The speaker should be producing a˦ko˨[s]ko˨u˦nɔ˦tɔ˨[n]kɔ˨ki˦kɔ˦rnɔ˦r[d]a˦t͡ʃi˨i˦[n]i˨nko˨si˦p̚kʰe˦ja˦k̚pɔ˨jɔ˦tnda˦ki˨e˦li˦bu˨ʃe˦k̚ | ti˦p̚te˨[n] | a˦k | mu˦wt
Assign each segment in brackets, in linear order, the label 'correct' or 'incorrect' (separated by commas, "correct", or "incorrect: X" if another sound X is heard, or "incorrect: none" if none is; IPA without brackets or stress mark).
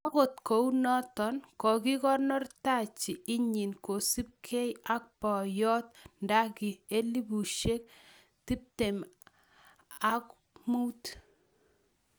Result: incorrect: t, correct, incorrect: t, incorrect: ɲ, incorrect: m